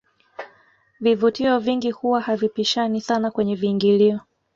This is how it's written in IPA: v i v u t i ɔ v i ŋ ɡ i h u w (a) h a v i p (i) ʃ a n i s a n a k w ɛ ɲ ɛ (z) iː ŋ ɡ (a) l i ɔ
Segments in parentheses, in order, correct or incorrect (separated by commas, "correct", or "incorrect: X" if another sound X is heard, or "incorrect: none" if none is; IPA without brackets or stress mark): correct, correct, incorrect: v, incorrect: i